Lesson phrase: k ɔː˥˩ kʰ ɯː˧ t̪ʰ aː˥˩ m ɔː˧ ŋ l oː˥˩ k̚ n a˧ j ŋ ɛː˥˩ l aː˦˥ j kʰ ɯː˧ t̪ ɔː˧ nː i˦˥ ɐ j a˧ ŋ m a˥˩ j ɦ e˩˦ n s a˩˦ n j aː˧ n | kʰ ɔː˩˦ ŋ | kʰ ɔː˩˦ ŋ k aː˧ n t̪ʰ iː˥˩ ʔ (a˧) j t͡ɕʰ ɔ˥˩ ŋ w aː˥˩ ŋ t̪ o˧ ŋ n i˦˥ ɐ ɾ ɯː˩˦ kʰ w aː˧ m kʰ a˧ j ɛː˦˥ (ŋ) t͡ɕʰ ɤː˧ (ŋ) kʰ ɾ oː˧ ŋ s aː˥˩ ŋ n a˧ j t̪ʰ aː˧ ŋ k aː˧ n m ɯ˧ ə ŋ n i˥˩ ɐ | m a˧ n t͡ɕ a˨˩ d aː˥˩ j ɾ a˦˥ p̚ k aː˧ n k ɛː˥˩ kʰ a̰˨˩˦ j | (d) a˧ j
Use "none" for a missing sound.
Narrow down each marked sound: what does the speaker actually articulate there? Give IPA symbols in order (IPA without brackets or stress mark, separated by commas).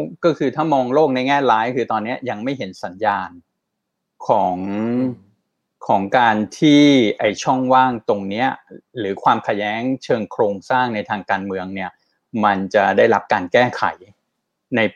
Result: a˧, ŋ, ŋ, n